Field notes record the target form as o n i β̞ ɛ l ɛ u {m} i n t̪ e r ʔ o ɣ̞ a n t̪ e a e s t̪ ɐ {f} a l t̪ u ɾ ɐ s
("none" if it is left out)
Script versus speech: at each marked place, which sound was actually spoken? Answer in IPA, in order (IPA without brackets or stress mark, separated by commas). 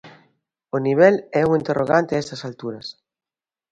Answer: ŋ, s